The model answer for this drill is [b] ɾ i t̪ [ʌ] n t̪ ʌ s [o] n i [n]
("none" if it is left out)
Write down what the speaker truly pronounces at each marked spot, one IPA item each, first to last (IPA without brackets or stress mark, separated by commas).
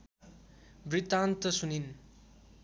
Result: b, a, u, n